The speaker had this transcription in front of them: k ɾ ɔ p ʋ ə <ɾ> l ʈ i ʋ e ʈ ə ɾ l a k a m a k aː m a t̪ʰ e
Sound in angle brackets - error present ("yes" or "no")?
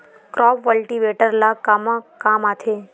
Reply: yes